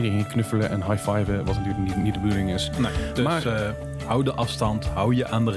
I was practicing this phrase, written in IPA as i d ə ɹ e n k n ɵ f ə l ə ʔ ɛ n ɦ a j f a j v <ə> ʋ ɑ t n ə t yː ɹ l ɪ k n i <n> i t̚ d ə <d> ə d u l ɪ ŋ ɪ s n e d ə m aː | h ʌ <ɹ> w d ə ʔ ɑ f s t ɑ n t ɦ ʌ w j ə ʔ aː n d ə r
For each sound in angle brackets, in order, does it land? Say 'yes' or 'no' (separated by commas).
yes, yes, no, no